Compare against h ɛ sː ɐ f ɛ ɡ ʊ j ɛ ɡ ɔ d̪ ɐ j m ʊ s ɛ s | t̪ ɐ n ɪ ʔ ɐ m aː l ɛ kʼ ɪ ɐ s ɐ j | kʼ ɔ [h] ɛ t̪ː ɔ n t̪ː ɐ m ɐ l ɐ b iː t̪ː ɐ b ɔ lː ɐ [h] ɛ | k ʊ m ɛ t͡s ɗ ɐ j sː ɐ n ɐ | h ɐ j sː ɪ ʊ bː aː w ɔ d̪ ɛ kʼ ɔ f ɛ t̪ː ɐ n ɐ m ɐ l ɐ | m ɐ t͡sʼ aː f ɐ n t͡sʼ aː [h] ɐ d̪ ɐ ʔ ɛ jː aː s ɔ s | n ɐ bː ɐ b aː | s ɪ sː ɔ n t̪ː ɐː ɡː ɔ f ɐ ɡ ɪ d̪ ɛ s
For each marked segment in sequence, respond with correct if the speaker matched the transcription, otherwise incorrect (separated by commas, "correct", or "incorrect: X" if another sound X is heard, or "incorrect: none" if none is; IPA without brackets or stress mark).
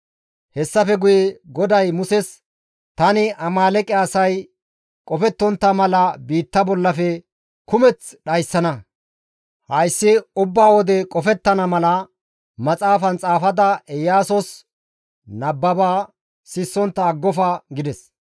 incorrect: f, incorrect: f, incorrect: f